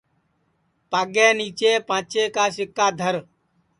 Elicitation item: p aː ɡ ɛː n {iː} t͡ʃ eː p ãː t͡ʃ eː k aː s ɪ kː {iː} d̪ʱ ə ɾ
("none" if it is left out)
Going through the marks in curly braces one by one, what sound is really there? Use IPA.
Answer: iː, aː

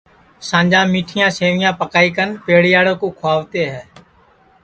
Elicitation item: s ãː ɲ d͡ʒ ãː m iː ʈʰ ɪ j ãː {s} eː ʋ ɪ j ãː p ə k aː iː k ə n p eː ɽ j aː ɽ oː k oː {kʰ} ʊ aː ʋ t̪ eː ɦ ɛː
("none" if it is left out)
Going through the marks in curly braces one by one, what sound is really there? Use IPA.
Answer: s, kʰ

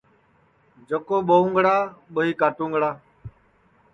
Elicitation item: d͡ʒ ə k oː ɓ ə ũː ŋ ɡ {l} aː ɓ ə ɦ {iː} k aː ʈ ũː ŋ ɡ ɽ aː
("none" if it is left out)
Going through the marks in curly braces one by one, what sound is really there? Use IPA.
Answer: ɽ, iː

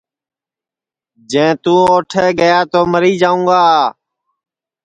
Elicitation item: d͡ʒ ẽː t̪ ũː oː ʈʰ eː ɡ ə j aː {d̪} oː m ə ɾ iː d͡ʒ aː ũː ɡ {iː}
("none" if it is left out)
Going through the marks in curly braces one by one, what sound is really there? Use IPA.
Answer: t̪, aː

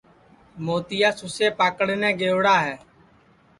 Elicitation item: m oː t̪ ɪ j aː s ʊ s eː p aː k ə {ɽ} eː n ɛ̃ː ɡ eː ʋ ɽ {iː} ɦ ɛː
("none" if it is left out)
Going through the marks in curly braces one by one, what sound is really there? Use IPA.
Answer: ɽ, aː

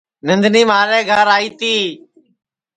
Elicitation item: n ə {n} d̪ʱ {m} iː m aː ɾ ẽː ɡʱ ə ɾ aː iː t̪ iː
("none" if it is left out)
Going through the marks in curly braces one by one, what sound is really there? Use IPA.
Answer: n, n

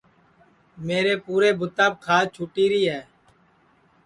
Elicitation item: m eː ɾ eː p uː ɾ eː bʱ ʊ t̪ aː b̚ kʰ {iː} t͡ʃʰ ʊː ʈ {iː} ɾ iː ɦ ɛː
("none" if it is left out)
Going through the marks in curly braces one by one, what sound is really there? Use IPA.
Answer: aː, iː

